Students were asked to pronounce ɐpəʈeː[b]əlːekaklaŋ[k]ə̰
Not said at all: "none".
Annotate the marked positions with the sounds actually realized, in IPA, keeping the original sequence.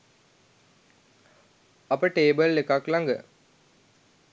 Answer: b, ɡ

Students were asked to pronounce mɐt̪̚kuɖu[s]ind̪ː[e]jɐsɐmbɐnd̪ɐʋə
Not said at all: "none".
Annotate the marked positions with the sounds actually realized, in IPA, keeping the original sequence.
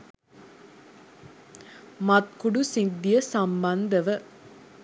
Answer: s, i

